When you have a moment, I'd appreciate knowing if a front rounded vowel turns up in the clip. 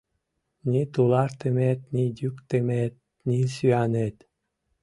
yes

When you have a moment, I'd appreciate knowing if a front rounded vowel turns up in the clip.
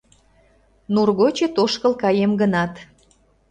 no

